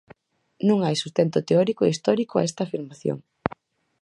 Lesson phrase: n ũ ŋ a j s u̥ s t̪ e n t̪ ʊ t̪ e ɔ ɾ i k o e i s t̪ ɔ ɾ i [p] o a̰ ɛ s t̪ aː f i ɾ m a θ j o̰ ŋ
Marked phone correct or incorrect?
incorrect